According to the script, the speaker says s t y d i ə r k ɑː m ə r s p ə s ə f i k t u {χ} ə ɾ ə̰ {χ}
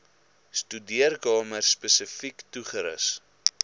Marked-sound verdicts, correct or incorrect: correct, incorrect: s

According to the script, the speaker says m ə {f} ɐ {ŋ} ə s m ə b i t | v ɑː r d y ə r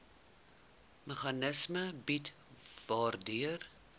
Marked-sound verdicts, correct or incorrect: incorrect: χ, incorrect: n

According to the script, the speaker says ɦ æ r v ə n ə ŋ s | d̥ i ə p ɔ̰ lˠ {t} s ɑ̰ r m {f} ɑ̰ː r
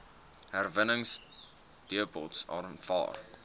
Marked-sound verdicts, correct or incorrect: correct, correct

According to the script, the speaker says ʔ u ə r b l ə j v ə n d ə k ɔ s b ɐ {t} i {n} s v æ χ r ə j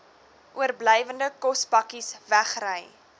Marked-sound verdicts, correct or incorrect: incorrect: k, incorrect: none

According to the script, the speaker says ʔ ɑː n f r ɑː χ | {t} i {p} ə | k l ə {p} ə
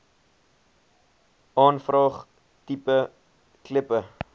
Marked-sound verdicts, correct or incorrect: correct, correct, correct

